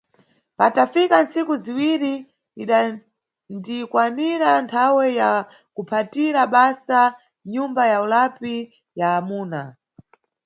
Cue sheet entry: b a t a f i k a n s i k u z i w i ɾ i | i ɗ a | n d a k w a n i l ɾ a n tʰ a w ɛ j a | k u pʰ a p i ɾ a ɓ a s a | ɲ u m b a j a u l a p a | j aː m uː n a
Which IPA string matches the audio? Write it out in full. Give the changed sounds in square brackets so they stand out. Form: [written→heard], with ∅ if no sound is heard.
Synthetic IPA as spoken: [b→p] a t a f i k a n s i k u z i w i ɾ i | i ɗ a | n d [a→i] k w a n i [l→∅] ɾ a n tʰ a w ɛ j a | k u pʰ a [p→t] i ɾ a ɓ a s a | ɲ u m b a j a u l a p [a→i] | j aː m uː n a